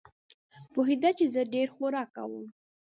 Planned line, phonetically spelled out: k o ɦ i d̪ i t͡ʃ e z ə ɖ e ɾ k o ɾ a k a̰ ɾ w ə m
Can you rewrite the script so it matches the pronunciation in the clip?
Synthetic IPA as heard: p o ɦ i d̪ a t͡ʃ e z ə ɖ e ɾ x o ɾ ɑ k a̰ w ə m